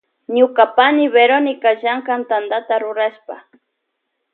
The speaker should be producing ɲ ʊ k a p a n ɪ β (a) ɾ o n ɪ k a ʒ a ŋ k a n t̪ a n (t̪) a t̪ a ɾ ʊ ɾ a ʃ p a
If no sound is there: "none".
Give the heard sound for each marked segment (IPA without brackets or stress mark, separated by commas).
e, d̪